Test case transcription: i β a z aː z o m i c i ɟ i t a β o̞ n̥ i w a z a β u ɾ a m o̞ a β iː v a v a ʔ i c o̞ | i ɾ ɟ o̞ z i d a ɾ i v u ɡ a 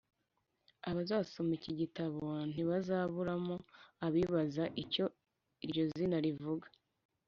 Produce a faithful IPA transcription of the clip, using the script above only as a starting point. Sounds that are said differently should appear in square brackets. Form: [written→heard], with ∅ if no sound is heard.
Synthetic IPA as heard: [i→a] β a z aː [z→s] o m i c i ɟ i t a β o̞ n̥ i [w→β] a z a β u ɾ a m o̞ a β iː [v→β] a [v→z] a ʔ i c o̞ | i ɾ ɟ o̞ z i [d→n] a ɾ i v u ɡ a